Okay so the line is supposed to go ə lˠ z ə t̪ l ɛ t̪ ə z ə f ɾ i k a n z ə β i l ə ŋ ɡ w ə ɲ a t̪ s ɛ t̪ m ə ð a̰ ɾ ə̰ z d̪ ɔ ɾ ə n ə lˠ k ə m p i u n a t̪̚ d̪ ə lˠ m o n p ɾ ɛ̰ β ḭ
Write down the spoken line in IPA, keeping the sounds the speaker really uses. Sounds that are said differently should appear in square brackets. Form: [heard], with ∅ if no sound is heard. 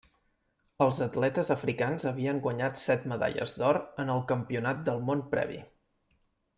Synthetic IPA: ə lˠ z ə t̪ l ɛ t̪ ə z ə f ɾ i k a n z ə β i [∅] ə ŋ ɡ w ə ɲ a t̪ s ɛ t̪ m ə ð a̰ [ʎ] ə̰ z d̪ ɔ ɾ ə n ə lˠ k ə m p i u n a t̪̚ d̪ ə lˠ m o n p ɾ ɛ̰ β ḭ

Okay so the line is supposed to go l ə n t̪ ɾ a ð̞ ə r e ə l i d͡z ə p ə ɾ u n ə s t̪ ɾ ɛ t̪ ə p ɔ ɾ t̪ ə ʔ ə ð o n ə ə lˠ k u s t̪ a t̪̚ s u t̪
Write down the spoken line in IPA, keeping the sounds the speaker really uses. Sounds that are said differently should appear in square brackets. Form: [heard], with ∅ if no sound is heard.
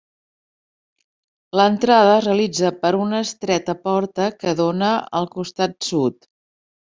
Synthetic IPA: l ə n t̪ ɾ a ð̞ ə r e ə l i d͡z ə p ə ɾ u n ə s t̪ ɾ ɛ t̪ ə p ɔ ɾ t̪ ə [k] ə ð o n ə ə lˠ k u s t̪ a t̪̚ s u t̪

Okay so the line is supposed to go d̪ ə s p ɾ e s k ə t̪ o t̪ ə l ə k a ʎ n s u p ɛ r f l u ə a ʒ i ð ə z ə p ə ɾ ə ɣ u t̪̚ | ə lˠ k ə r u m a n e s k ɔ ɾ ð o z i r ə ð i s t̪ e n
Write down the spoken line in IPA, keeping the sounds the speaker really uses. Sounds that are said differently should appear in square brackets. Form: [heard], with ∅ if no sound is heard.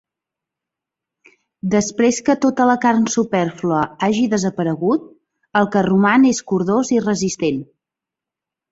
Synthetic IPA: d̪ ə s p ɾ e s k ə t̪ o t̪ ə l ə k a [r] n s u p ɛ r f l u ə a ʒ i ð ə z ə p ə ɾ ə ɣ u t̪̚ | ə lˠ k ə r u m a n e s k [u] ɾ ð o z i r ə [z] i s t̪ e n

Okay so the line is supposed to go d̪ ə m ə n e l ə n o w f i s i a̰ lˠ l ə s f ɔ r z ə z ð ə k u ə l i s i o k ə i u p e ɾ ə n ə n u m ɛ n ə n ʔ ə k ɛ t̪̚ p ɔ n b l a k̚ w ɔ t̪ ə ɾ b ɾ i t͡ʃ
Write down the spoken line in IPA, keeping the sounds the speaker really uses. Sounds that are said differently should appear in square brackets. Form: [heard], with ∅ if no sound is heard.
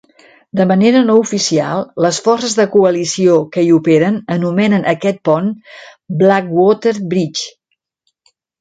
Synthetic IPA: d̪ ə m ə n e [ɾ] ə n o [u] f i s i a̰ lˠ l ə s f ɔ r [s] ə z ð ə k u ə l i s i o k ə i u p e ɾ ə n ə n u m ɛ n ə n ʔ ə k ɛ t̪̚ p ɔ n b l a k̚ w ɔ t̪ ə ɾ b ɾ i t͡ʃ

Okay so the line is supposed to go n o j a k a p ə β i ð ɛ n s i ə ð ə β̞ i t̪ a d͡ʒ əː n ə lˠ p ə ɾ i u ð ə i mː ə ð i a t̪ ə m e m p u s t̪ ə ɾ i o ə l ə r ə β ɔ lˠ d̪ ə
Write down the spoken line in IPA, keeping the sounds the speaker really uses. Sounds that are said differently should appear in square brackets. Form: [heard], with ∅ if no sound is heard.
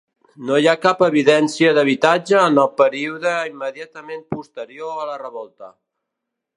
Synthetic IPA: n o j a k a p ə β i ð ɛ n s i ə ð ə β̞ i t̪ a d͡ʒ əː n ə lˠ p ə ɾ i u ð ə i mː ə ð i a t̪ ə m e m p u s t̪ ə ɾ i o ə l ə r ə β ɔ lˠ [t̪] ə

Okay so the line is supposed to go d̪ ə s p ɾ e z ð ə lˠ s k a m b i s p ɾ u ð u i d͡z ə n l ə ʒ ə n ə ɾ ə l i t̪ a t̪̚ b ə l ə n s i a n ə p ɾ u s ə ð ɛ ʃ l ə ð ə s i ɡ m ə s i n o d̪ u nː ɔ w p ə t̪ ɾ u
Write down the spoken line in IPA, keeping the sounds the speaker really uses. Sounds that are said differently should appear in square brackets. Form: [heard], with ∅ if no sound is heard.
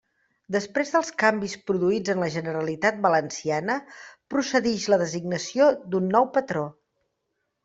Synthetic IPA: d̪ ə s p ɾ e z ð ə lˠ s k a m b i s p ɾ u ð u i d͡z ə n l ə ʒ ə n ə ɾ ə l i t̪ a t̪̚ b ə l ə n s i a n ə p ɾ u s ə ð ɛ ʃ l ə ð ə [z] i ɡ [n] ə s i [∅] o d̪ u nː ɔ w p ə t̪ ɾ [o]

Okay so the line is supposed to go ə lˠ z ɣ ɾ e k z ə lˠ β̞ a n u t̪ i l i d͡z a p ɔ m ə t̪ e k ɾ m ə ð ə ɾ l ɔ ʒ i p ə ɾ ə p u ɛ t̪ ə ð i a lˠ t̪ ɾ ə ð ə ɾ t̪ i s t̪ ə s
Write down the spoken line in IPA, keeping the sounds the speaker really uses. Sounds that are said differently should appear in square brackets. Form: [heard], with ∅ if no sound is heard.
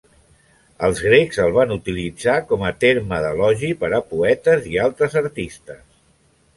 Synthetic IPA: ə lˠ z ɣ ɾ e k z ə lˠ β̞ a n u t̪ i l i d͡z a [k] ɔ m ə t̪ e [∅] ɾ m ə ð ə [∅] l ɔ ʒ i p ə ɾ ə p u ɛ t̪ ə [z] i a lˠ t̪ ɾ ə [z] ə ɾ t̪ i s t̪ ə s

